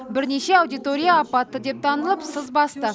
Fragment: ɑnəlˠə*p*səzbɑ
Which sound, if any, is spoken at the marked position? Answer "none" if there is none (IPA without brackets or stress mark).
p